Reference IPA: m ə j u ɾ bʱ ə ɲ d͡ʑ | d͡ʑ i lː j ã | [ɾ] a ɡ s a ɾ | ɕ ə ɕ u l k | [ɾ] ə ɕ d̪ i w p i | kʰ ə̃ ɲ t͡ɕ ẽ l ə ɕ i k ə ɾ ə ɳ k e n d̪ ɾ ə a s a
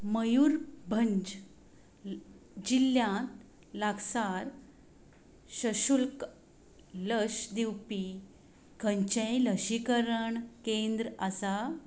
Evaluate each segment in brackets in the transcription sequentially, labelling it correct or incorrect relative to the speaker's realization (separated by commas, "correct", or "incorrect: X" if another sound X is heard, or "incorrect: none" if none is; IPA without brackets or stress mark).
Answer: incorrect: l, incorrect: l